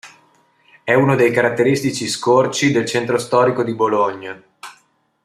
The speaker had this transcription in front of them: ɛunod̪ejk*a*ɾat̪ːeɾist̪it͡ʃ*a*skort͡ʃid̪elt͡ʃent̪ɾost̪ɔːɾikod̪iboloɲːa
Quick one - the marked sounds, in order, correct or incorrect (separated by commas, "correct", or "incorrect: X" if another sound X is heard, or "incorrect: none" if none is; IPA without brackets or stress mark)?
correct, incorrect: i